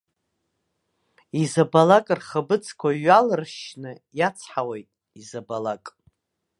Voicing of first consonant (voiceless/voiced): voiced